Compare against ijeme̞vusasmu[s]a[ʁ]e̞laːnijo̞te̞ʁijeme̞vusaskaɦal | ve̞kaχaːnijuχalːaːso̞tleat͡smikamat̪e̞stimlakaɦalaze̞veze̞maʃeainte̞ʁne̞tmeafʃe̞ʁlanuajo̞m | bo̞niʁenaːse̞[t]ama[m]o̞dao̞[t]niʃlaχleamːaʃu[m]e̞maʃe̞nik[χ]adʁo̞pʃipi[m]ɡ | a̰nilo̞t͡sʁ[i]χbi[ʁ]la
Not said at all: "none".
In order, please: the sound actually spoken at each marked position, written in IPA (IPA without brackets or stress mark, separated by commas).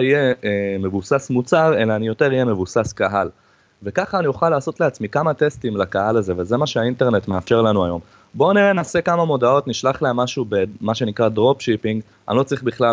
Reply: t͡s, ʁ, k, m, t, b, ʁ, ŋ, i, χ